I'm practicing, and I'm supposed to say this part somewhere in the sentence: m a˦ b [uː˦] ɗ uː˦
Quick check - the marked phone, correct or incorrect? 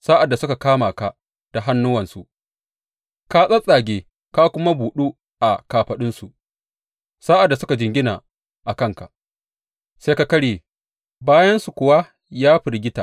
incorrect